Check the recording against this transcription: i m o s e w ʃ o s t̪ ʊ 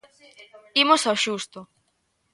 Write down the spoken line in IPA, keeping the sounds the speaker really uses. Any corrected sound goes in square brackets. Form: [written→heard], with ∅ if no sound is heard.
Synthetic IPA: i m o s [e→a] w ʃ [o→u] s t̪ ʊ